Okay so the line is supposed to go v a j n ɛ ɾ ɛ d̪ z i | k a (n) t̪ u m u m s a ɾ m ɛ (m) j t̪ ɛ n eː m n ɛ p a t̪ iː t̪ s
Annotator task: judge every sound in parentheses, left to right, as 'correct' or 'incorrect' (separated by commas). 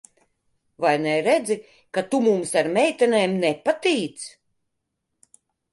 incorrect, incorrect